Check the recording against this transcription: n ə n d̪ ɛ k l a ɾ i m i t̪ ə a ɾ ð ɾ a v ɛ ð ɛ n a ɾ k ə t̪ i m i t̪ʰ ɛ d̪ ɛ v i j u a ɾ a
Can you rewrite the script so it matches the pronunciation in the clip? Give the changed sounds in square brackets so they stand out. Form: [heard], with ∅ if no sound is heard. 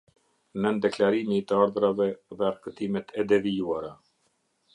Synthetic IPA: n ə n d̪ ɛ k l a ɾ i m i t̪ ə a ɾ ð ɾ a v ɛ ð ɛ [∅] a ɾ k ə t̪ i m [ɛ] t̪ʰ ɛ d̪ ɛ v i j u a ɾ a